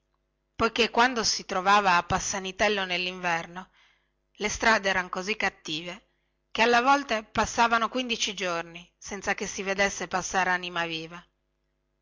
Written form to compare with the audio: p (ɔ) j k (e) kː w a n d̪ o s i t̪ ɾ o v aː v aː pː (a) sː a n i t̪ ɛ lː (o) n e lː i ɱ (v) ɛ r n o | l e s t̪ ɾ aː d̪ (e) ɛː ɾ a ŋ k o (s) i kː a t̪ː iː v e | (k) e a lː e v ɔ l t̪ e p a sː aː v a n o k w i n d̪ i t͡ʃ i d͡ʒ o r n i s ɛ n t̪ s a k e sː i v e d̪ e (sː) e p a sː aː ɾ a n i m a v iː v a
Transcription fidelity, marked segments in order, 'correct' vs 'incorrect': incorrect: o, correct, correct, correct, correct, correct, incorrect: z, correct, correct

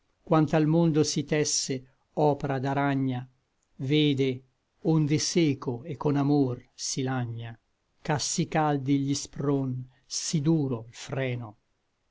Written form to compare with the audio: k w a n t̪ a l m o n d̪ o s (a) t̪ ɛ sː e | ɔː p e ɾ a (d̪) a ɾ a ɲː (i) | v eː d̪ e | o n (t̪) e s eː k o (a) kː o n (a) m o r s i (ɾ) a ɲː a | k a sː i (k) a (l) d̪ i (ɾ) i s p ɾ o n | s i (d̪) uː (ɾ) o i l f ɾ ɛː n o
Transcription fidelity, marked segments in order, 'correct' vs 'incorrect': incorrect: i, correct, incorrect: a, incorrect: d̪, incorrect: e, correct, incorrect: l, correct, correct, incorrect: ʎ, correct, correct

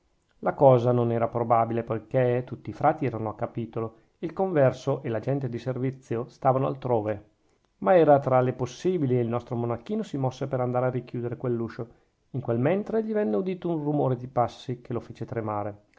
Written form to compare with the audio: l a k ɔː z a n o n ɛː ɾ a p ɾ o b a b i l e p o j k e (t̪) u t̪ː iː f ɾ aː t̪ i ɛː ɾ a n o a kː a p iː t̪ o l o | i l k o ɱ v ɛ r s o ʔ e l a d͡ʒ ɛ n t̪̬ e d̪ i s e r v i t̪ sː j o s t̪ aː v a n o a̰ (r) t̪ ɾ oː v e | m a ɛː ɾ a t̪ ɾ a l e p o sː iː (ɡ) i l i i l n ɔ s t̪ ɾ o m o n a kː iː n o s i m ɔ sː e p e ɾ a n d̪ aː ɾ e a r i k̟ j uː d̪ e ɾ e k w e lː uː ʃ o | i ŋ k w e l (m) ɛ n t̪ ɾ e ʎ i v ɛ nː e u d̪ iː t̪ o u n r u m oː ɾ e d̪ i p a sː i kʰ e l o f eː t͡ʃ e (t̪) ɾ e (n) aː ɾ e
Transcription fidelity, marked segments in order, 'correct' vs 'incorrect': correct, incorrect: l, incorrect: b, correct, correct, incorrect: m

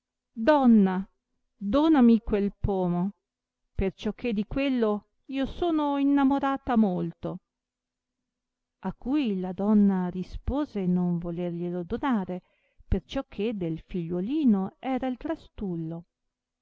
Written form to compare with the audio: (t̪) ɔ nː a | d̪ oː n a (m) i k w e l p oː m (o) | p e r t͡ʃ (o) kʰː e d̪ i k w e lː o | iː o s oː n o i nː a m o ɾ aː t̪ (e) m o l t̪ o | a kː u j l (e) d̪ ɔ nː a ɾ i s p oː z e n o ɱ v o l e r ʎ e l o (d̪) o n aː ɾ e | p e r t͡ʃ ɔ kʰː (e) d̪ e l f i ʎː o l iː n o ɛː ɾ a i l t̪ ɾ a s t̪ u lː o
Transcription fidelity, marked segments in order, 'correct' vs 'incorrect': incorrect: d̪, correct, correct, incorrect: ɔ, incorrect: a, incorrect: a, correct, correct

